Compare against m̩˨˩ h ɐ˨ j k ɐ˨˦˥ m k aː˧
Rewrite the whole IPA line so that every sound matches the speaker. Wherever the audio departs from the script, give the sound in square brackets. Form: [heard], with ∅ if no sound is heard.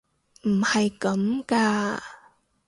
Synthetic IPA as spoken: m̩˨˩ h ɐ˨ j k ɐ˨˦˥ m k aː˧